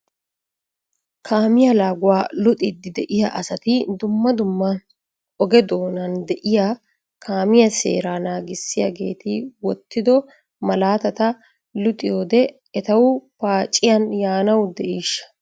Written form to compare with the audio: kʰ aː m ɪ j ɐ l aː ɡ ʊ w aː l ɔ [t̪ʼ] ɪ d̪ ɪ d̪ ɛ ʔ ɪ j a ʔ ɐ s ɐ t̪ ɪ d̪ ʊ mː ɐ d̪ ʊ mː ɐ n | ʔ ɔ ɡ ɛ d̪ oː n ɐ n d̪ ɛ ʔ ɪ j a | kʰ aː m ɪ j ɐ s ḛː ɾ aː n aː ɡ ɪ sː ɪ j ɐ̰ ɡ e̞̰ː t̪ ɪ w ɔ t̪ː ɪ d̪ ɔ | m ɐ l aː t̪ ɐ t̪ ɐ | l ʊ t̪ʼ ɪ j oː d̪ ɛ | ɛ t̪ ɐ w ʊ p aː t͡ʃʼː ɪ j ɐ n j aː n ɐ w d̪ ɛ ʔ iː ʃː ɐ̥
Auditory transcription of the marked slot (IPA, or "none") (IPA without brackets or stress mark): t̪ʼ